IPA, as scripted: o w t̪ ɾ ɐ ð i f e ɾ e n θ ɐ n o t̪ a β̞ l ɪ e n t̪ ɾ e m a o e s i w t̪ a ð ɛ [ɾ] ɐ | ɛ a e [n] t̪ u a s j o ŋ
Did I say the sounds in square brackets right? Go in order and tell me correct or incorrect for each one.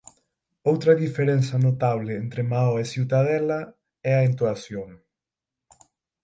incorrect: l, correct

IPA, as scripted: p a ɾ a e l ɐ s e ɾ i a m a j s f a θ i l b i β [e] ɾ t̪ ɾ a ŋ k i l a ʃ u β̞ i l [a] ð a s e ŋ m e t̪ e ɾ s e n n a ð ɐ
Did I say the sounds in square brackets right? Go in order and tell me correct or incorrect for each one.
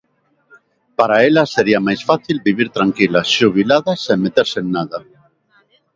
incorrect: i, correct

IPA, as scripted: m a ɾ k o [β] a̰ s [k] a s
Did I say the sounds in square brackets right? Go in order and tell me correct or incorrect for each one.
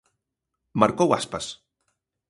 incorrect: w, incorrect: p

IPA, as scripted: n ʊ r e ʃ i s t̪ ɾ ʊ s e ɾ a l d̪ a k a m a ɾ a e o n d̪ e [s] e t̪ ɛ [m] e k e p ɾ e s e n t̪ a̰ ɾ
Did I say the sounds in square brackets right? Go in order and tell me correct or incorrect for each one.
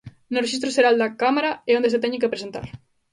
correct, incorrect: ɲ

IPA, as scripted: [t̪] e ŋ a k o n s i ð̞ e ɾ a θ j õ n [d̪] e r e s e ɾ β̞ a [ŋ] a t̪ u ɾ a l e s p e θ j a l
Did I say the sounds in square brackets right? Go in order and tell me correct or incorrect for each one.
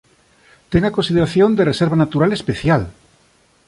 correct, correct, incorrect: n

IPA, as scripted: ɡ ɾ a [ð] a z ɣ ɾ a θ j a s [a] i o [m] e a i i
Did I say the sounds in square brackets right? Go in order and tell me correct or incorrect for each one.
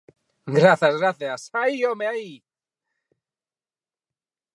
incorrect: θ, correct, correct

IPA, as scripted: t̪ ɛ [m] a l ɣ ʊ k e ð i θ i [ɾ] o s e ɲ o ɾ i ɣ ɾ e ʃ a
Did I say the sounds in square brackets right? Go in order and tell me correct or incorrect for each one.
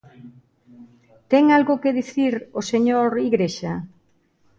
incorrect: ŋ, correct

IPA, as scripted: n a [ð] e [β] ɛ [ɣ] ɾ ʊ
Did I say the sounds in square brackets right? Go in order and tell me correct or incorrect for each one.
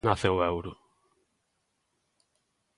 incorrect: θ, incorrect: w, incorrect: w

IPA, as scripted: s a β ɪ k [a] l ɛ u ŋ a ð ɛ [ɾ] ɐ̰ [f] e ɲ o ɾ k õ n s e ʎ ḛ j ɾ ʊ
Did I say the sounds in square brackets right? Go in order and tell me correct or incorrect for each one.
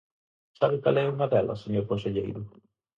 correct, incorrect: l, incorrect: s

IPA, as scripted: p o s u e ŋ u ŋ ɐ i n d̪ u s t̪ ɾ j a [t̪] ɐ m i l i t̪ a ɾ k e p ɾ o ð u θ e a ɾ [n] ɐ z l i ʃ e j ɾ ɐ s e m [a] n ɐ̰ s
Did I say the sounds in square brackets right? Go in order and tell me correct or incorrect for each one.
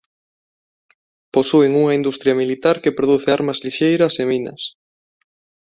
incorrect: none, incorrect: m, incorrect: i

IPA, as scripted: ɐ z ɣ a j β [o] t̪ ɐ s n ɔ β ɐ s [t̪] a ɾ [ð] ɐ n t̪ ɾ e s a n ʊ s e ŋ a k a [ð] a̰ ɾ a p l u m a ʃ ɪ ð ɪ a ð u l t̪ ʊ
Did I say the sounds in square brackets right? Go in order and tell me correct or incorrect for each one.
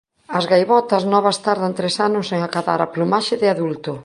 incorrect: ɔ, correct, correct, correct

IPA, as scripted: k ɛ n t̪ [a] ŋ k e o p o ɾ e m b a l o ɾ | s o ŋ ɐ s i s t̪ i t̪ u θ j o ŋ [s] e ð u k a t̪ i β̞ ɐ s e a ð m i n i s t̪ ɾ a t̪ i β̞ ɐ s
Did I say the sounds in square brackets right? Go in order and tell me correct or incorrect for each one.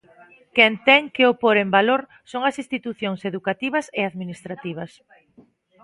incorrect: ɛ, correct

